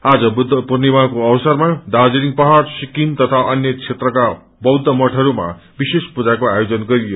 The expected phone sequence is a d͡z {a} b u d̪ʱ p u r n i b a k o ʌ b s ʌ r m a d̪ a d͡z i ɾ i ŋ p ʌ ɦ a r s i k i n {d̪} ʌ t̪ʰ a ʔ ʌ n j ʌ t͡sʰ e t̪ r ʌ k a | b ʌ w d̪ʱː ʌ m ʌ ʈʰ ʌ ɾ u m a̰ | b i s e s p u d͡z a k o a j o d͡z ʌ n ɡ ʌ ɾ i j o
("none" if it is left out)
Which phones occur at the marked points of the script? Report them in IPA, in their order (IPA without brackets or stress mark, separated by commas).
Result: ʌ, t̪